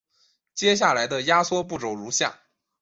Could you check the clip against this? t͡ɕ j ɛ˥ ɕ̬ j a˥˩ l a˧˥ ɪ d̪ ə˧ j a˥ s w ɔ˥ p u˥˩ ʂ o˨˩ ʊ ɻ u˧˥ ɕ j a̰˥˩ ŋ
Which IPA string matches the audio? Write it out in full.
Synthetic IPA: t͡ɕ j ɛ˥ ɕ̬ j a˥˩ l a˧˥ ɪ d̪ ə˧ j a˥ s w ɔ˥ p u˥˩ ʈ͡ʂ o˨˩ ʊ ɻ u˧˥ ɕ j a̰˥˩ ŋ

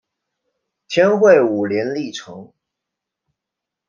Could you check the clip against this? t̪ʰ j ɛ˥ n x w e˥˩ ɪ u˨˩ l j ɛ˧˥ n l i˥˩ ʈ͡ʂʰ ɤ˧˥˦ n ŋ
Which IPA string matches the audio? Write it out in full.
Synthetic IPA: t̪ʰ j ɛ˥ n x w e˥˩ ɪ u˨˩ l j ɛ˧˥ n l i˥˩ ʈ͡ʂʰ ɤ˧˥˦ ŋ

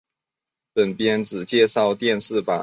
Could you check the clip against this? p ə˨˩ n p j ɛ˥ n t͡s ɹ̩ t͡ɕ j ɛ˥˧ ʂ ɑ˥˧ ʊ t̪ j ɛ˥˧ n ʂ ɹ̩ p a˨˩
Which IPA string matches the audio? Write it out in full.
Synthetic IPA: p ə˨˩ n p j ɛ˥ n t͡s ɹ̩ t͡ɕ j ɛ˥˧ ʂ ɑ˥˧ ʊ t̪ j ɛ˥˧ n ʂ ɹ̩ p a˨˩

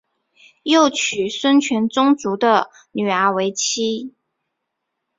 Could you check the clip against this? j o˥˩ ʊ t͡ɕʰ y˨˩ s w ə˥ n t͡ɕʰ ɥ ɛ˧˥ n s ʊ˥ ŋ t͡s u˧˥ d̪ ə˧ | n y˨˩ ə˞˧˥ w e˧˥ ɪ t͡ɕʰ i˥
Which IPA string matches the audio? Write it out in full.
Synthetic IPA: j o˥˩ ʊ t͡ɕʰ y˨˩ s w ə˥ n t͡ɕʰ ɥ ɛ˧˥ n t͡s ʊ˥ ŋ t͡s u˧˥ d̪ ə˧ | n y˨˩ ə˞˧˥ w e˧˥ ɪ t͡ɕʰ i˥

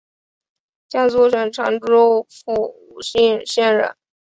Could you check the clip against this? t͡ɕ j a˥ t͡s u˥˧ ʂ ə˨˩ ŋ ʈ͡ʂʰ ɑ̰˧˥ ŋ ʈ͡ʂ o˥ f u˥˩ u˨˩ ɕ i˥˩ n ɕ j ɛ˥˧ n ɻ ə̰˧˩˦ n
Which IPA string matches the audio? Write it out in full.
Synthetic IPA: t͡ɕ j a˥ t͡s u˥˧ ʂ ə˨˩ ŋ ʈ͡ʂʰ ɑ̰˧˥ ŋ ʈ͡ʂ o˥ f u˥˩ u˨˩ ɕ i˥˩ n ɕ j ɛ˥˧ n ɻ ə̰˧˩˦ n

